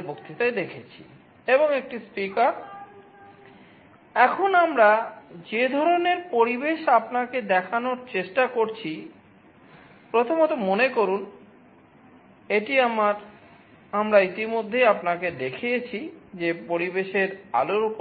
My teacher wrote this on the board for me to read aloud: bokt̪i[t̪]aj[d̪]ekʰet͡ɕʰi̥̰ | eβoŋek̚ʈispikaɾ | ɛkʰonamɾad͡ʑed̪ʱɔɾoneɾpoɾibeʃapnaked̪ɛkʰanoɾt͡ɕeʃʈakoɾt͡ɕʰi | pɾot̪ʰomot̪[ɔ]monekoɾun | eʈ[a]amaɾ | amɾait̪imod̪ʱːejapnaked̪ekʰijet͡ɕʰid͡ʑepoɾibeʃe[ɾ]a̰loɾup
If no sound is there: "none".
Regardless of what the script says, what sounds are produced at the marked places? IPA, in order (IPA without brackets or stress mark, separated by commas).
t̪, d̪, o, i, ɾ